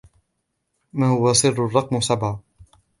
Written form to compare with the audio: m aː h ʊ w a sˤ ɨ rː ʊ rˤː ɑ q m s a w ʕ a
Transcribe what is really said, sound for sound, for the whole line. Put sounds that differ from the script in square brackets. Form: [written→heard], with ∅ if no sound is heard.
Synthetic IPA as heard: m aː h ʊ w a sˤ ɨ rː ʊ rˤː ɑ q m s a [w→b] ʕ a